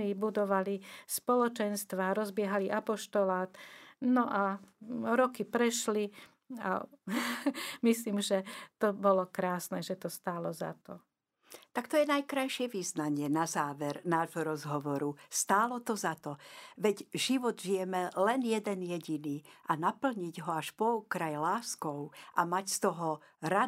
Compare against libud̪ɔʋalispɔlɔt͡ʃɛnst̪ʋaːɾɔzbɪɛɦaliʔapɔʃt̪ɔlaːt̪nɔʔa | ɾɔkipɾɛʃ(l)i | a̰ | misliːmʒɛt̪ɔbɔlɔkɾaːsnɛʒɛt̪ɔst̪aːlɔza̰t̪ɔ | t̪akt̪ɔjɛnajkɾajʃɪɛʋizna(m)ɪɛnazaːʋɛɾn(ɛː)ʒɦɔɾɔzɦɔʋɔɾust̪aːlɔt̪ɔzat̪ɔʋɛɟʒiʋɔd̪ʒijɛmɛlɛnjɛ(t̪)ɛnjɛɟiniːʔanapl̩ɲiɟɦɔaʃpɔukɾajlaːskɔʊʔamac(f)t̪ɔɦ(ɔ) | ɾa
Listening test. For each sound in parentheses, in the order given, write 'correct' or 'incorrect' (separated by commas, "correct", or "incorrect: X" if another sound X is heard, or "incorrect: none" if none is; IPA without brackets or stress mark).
correct, incorrect: ɲ, incorrect: aː, incorrect: d̪, incorrect: s, correct